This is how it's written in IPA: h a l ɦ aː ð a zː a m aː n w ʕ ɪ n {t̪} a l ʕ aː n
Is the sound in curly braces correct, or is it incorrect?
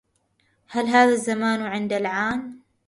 incorrect